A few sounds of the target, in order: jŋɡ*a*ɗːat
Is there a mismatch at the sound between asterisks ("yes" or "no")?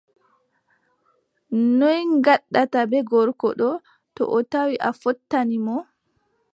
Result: no